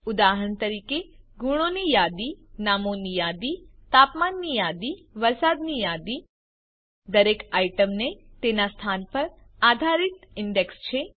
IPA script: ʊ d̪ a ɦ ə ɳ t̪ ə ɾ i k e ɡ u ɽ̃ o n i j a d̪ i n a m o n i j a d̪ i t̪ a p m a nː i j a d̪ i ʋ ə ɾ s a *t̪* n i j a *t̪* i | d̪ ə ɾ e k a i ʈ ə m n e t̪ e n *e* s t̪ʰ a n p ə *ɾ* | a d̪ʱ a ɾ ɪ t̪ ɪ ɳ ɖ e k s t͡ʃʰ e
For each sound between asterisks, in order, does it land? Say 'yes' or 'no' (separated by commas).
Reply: no, no, no, yes